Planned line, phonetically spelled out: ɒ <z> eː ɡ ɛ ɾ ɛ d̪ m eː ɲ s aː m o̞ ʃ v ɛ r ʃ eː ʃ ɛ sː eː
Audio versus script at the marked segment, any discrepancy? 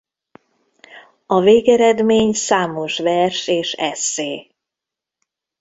yes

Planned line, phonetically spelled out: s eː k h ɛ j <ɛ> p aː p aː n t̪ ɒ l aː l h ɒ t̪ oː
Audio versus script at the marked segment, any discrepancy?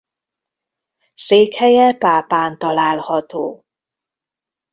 no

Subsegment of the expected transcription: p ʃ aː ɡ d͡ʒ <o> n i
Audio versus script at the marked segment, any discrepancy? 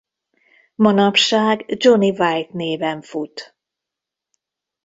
no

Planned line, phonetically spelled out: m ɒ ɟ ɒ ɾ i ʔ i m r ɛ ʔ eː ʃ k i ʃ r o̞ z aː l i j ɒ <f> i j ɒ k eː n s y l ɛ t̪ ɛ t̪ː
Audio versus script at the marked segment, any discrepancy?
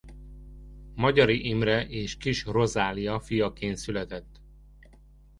no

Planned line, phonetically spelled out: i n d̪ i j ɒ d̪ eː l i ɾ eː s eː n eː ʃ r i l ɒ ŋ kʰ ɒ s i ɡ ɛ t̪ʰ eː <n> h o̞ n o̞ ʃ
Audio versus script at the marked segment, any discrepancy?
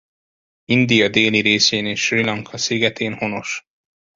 no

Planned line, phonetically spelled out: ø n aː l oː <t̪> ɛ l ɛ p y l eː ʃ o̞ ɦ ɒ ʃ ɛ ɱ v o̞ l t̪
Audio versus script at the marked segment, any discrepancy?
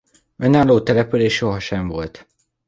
no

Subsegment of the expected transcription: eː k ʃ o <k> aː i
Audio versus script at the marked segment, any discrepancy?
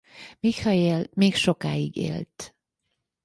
no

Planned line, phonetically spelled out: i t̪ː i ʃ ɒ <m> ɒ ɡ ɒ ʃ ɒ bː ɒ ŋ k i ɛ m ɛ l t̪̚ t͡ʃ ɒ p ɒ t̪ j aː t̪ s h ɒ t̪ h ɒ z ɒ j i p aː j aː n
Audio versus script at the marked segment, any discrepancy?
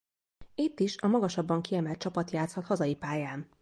no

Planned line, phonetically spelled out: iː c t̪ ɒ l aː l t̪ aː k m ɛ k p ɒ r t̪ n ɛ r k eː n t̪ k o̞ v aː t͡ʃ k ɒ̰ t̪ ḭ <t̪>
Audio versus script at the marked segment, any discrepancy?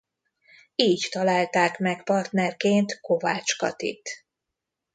no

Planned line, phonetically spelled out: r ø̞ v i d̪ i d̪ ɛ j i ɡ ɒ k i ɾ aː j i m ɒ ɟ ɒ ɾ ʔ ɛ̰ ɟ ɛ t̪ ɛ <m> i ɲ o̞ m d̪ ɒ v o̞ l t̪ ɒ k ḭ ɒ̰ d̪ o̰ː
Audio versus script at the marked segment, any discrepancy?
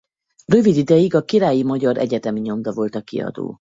no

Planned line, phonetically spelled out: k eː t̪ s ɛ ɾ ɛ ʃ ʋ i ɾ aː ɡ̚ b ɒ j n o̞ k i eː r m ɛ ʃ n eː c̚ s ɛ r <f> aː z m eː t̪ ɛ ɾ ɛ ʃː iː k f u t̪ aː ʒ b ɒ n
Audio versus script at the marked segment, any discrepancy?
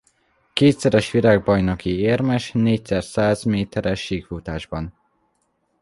yes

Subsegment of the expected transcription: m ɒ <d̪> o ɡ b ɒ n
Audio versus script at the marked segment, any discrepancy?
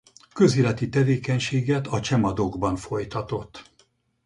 no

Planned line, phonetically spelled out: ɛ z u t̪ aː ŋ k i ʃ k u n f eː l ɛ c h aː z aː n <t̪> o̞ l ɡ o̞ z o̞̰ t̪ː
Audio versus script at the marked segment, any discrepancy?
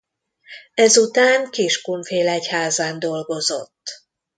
yes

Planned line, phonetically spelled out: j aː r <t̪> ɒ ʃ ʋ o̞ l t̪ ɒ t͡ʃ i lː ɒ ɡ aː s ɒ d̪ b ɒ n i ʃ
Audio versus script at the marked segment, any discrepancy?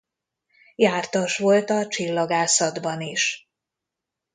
no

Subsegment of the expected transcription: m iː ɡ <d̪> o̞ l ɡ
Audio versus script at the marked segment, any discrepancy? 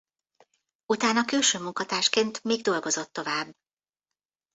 no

